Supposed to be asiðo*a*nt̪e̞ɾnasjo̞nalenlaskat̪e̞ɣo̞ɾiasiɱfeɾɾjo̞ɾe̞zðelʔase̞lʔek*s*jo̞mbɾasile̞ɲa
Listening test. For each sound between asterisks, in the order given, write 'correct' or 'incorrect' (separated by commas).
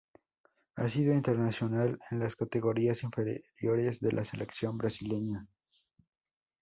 incorrect, correct